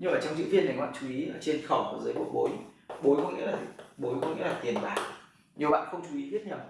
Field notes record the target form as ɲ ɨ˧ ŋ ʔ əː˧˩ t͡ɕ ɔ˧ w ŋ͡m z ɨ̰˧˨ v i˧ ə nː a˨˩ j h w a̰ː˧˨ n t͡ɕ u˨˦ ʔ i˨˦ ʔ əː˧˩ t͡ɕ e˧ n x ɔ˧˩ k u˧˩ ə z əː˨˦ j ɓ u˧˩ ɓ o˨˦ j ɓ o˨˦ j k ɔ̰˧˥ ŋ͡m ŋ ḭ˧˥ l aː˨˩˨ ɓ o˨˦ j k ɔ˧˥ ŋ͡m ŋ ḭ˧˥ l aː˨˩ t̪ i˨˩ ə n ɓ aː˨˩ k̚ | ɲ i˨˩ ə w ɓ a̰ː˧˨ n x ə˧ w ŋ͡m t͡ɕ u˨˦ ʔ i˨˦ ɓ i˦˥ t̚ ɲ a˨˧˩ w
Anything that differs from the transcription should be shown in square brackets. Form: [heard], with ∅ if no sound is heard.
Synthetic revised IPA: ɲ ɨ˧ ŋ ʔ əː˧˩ t͡ɕ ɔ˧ w ŋ͡m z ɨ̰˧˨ v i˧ ə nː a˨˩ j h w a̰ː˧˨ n t͡ɕ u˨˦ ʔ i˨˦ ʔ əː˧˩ t͡ɕ e˧ n x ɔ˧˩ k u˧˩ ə z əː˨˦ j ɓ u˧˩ ɓ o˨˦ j ɓ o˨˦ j k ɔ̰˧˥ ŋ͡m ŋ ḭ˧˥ l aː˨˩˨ ɓ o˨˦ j k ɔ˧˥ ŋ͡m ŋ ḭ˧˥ l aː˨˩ t̪ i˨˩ ə n ɓ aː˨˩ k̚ | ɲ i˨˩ ə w ɓ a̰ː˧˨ n x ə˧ w ŋ͡m t͡ɕ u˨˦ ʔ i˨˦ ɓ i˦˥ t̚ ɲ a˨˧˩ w